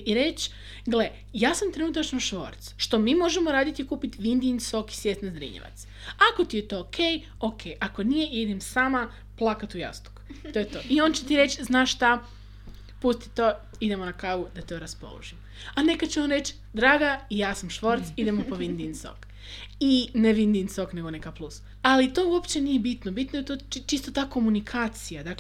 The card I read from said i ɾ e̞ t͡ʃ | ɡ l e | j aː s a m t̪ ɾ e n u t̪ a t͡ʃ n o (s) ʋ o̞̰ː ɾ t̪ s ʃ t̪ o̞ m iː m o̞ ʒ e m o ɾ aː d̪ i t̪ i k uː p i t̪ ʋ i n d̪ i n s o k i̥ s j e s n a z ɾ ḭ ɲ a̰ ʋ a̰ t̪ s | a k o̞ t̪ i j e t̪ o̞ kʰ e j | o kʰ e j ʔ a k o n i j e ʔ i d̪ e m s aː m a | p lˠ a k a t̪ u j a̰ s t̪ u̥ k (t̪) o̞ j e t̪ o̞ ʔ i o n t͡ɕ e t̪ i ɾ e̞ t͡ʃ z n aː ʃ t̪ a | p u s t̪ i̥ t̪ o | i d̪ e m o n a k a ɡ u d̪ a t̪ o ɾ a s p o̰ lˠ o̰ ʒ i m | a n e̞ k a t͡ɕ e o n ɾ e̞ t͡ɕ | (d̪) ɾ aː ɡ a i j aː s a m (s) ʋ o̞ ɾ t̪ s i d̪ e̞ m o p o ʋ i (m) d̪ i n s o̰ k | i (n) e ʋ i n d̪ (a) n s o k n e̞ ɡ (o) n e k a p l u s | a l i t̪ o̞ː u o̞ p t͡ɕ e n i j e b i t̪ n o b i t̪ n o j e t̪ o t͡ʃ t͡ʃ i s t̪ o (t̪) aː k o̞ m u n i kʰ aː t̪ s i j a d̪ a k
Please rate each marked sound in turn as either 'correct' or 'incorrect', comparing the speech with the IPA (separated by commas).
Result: incorrect, correct, correct, incorrect, incorrect, correct, incorrect, correct, correct